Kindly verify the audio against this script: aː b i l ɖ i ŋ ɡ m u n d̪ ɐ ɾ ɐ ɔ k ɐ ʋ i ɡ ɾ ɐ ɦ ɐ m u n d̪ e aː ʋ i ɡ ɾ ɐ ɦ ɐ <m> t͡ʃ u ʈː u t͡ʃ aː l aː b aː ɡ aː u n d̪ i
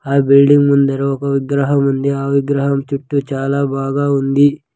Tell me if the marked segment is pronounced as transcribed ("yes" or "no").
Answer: yes